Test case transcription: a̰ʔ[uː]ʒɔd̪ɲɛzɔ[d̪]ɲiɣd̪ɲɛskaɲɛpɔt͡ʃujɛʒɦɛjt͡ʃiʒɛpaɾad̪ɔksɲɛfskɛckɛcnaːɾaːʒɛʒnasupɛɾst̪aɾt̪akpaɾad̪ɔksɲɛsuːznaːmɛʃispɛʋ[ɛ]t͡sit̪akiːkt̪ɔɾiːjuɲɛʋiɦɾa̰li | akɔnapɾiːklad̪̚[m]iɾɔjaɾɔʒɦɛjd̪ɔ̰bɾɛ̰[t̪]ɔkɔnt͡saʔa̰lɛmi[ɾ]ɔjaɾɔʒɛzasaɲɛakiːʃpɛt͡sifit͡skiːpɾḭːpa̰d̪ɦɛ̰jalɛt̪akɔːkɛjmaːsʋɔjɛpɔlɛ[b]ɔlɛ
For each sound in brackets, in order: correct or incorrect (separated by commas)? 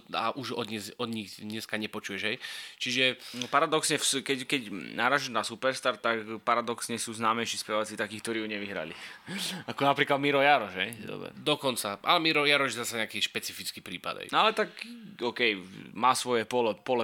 incorrect, correct, incorrect, correct, incorrect, correct, incorrect